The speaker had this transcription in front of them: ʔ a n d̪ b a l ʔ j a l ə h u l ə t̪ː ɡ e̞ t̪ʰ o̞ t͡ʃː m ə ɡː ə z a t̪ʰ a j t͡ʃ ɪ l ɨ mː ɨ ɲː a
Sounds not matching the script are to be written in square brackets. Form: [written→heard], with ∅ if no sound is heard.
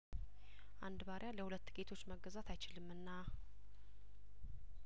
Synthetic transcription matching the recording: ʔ a n d̪ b a [l→ɾ] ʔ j a l ə h u l ə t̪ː ɡ e̞ t̪ʰ o̞ t͡ʃː m ə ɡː ə z a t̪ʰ a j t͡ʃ ɪ l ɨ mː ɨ [ɲː→nː] a